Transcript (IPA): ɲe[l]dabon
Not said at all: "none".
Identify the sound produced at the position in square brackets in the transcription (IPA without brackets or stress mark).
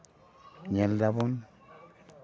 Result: l